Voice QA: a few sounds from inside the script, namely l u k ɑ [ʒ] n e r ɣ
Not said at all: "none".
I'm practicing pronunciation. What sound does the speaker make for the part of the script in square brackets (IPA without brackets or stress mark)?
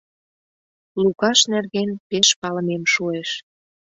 ʃ